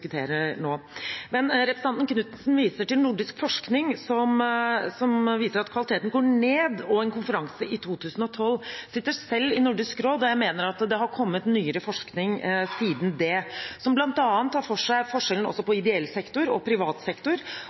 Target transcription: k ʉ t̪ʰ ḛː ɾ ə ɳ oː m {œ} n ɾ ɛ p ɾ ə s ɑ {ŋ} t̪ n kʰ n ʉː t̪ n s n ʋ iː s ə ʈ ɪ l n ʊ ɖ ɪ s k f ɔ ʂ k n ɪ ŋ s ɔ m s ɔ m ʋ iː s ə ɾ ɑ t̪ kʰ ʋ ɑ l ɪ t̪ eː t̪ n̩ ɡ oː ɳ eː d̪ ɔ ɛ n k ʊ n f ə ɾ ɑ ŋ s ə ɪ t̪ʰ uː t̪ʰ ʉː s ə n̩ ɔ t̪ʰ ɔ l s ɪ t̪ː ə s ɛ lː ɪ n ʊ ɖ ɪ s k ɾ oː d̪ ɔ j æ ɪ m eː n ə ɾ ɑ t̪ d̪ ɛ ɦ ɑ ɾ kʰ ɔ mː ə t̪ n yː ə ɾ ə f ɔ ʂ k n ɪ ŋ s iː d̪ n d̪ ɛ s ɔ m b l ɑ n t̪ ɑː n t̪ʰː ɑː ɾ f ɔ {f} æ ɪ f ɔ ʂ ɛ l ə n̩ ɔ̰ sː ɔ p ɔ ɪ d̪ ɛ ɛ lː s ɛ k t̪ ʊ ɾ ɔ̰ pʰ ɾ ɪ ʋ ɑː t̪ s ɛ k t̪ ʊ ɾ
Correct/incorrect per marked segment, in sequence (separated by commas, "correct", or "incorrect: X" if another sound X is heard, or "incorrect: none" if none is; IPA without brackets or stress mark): incorrect: ɛ, incorrect: n, incorrect: ʂ